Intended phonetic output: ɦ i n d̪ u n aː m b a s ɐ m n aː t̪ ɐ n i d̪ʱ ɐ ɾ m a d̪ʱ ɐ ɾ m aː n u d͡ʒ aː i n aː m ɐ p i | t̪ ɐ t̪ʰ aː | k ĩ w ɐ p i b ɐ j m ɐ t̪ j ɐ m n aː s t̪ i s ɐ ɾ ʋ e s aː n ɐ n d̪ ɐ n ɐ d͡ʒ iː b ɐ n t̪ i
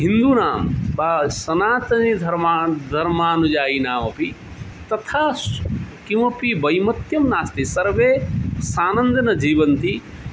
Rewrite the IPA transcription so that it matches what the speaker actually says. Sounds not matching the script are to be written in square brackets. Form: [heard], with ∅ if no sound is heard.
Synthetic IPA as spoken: ɦ i n d̪ u n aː m b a s ɐ [∅] n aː t̪ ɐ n i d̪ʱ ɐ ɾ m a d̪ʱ ɐ ɾ m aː n u d͡ʒ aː i n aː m ɐ p i | t̪ ɐ t̪ʰ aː | k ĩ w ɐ p i b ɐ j m ɐ t̪ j ɐ m n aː s t̪ i s ɐ ɾ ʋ e s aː n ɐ n d̪ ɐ n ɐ d͡ʒ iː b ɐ n t̪ i